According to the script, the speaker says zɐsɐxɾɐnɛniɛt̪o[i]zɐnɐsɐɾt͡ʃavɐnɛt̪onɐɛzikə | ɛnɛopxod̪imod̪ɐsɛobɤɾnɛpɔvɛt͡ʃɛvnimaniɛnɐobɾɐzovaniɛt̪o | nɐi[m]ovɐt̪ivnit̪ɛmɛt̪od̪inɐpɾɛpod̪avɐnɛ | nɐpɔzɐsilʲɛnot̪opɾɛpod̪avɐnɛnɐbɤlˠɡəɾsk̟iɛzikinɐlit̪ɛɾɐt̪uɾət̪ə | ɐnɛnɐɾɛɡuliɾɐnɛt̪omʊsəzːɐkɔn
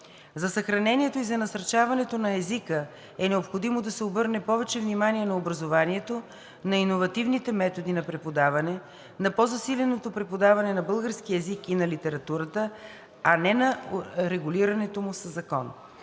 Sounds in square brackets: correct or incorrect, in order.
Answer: correct, incorrect

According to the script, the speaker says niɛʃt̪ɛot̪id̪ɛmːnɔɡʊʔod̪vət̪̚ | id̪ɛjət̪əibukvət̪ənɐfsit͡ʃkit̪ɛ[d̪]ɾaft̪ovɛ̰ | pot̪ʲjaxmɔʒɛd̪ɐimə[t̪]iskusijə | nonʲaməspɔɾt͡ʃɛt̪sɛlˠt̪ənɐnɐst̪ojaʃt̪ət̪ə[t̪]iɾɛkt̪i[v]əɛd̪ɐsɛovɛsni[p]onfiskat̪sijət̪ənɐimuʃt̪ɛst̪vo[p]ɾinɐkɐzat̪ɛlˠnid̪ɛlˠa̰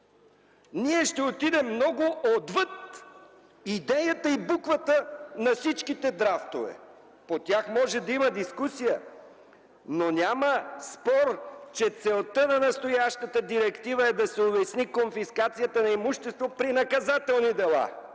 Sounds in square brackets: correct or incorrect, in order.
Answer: correct, incorrect, incorrect, correct, incorrect, correct

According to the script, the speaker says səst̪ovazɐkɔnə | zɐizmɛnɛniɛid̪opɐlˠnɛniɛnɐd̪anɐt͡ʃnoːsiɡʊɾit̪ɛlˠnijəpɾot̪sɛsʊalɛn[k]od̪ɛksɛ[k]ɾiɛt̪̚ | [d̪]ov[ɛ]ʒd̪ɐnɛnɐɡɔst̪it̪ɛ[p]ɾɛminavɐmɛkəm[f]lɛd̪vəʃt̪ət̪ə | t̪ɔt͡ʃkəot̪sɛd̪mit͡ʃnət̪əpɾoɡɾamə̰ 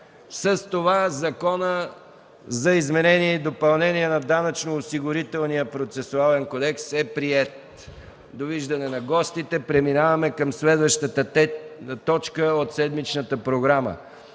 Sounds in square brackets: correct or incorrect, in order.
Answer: correct, incorrect, correct, incorrect, correct, incorrect

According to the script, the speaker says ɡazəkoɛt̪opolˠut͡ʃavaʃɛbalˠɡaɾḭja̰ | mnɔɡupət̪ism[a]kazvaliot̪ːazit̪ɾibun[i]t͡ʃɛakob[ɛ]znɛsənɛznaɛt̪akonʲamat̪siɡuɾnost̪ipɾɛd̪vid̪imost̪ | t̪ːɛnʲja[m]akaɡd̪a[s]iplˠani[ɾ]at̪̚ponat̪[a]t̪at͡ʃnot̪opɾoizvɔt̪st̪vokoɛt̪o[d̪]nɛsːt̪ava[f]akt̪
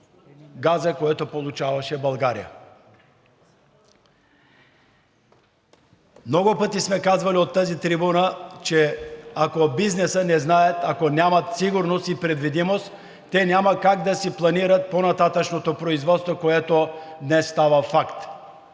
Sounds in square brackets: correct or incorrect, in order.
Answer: incorrect, incorrect, incorrect, correct, correct, correct, correct, correct, correct

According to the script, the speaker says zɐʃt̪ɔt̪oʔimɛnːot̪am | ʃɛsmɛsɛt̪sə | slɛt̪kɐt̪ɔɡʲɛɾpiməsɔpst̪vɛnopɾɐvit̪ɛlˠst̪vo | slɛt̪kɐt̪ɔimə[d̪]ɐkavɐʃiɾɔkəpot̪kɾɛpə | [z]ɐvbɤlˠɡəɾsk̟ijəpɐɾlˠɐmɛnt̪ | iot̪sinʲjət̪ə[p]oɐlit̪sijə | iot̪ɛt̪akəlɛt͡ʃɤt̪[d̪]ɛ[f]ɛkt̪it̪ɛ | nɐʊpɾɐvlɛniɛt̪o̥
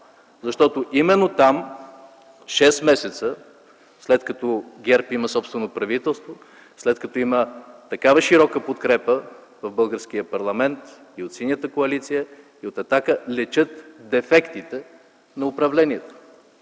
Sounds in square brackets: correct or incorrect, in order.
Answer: incorrect, incorrect, incorrect, correct, correct

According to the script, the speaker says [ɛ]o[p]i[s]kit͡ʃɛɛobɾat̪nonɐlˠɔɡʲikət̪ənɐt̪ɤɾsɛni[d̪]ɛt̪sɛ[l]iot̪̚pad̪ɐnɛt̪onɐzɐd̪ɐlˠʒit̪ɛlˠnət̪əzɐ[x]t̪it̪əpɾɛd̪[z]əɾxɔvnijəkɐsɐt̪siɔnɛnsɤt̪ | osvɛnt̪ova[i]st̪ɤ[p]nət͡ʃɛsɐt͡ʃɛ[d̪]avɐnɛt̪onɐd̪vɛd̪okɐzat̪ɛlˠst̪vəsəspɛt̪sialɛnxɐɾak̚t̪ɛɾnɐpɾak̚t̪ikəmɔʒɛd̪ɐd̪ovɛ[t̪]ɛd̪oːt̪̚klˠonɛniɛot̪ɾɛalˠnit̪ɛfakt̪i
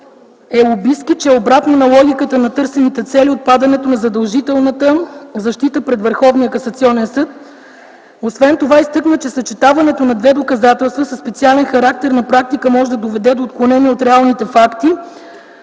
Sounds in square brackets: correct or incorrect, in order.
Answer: correct, incorrect, correct, incorrect, correct, incorrect, incorrect, correct, incorrect, incorrect, incorrect

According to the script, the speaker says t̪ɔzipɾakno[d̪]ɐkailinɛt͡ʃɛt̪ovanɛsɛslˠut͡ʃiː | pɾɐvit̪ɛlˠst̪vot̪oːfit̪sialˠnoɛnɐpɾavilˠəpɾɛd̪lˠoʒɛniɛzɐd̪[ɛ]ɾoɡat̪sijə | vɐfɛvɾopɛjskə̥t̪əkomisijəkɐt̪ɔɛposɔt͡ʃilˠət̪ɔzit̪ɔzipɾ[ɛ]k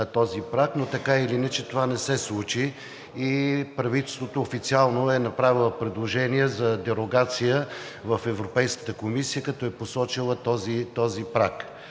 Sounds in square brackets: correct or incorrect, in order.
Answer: incorrect, correct, incorrect

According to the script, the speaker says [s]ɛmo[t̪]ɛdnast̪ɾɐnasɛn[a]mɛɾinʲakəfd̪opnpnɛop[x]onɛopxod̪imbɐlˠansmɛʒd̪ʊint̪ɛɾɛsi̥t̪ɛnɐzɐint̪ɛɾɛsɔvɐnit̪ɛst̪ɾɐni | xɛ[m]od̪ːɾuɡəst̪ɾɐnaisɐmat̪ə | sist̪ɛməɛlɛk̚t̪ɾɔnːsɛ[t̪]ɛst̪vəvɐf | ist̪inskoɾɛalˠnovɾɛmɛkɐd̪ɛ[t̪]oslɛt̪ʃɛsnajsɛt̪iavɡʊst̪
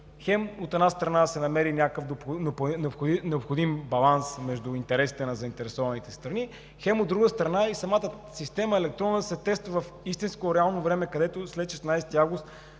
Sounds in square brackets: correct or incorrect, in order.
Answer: incorrect, correct, incorrect, correct, correct, correct, correct

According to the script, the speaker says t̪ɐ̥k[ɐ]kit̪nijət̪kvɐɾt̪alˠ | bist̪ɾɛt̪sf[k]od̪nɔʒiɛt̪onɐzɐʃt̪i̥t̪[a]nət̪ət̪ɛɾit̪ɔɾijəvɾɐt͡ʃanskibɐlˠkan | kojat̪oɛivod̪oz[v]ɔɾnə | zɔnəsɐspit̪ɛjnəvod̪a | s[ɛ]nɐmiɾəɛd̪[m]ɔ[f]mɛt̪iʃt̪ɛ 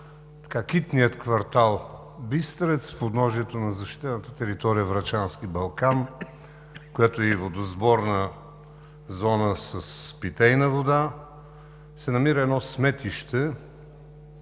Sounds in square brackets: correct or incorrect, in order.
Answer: incorrect, incorrect, incorrect, incorrect, correct, incorrect, incorrect

